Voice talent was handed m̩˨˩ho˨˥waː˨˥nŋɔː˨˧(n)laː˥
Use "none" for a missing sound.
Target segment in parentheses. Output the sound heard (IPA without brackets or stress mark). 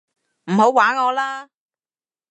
none